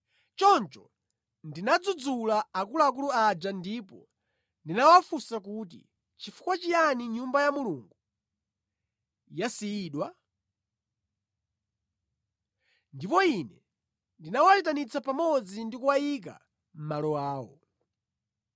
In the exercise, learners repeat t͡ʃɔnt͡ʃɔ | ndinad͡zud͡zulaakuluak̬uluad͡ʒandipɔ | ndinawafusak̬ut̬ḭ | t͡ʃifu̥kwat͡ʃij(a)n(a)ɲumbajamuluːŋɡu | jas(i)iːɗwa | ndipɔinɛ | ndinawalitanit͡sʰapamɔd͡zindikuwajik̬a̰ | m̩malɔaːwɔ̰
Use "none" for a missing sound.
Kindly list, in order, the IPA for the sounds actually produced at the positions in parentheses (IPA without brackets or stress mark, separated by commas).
a, i, i